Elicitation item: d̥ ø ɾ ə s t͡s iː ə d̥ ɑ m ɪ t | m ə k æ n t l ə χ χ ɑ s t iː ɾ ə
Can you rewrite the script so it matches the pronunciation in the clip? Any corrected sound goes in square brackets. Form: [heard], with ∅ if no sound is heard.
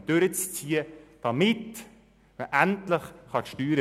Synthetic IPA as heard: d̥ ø ɾ ə [t͡s] t͡s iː ə d̥ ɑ m ɪ t | m ə [ʔ] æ n t l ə χ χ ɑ [ʃ] t [yː] ɾ ə

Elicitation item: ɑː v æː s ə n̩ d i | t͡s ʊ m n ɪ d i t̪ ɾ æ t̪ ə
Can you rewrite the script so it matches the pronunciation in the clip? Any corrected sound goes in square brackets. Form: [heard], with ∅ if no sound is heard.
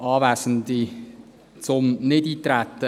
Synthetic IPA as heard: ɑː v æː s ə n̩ d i | t͡s ʊ m n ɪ d [iː] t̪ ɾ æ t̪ ə

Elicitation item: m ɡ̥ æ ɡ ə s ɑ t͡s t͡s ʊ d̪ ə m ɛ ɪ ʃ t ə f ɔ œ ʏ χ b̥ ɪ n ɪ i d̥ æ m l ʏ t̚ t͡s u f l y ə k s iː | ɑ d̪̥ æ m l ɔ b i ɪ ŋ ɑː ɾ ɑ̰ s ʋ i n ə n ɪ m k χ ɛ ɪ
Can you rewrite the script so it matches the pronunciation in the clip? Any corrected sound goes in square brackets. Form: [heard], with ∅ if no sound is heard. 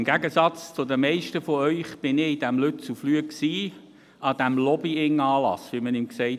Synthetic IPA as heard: m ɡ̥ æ ɡ ə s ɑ t͡s t͡s ʊ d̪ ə m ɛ ɪ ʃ t ə f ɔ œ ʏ χ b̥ ɪ n ɪ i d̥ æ m l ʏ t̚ t͡s u f l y ə k s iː | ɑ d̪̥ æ m l ɔ b i ɪ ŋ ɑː [l] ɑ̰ s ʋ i [m] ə n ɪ m k [s] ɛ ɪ

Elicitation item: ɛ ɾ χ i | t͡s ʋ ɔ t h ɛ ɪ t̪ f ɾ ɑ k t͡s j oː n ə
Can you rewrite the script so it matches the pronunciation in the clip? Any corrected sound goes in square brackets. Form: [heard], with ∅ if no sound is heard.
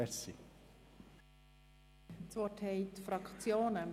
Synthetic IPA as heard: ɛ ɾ [s] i | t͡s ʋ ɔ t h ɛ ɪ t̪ f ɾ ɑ k t͡s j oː n ə

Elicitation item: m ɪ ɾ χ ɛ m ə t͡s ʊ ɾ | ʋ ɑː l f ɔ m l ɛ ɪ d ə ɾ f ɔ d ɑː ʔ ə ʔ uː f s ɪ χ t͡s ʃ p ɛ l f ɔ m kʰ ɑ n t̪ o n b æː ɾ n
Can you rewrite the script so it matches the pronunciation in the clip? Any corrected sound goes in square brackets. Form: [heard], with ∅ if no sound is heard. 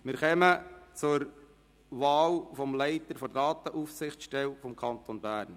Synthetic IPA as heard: m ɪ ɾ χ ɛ m ə t͡s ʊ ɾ | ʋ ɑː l f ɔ m l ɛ ɪ [t] ə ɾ f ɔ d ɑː [t] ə ʔ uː f s ɪ χ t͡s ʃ [t] ɛ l f ɔ m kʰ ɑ n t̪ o n b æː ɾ n

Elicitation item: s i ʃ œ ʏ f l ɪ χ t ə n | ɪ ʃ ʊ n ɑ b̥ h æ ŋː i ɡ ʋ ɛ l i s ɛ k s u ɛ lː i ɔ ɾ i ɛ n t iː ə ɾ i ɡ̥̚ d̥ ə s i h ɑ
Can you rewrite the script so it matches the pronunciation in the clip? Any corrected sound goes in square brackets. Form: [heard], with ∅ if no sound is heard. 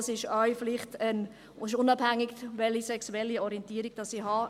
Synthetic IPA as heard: s [ɪ] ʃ œ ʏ f l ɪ χ t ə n | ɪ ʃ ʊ n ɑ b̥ h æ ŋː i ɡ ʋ ɛ l i s ɛ k s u ɛ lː i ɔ ɾ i ɛ n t iː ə ɾ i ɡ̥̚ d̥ [ɑ] s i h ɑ

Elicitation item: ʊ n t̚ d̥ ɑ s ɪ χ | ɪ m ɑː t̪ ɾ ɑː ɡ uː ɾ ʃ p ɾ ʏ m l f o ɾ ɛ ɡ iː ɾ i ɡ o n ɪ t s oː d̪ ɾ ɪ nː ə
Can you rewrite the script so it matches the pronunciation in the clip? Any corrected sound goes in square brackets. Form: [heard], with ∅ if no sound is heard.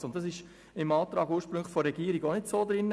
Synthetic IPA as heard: ʊ n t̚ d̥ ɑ s ɪ [ʃ] | ɪ m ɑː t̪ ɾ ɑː ɡ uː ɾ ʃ p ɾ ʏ [ŋ] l f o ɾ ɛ ɡ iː ɾ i ɡ o n ɪ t s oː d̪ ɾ ɪ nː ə

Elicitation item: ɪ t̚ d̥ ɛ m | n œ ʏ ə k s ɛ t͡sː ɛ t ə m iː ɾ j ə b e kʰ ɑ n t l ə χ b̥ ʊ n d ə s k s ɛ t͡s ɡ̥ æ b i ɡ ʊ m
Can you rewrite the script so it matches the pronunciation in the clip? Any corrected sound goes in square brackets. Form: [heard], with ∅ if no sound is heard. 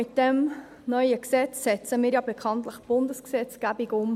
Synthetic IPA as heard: ɪ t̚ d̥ ɛ m | n œ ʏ ə k s ɛ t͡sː ɛ [t͡s] ə m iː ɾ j [ɑ] b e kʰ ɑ n t l ə χ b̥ ʊ n d ə s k s ɛ t͡s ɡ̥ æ b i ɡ ʊ m

